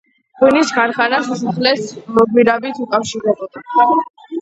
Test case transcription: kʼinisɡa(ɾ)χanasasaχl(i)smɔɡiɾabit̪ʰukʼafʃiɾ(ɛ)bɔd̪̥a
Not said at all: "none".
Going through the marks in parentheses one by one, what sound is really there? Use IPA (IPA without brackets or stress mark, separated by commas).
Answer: ɾ, ɛ, ɛ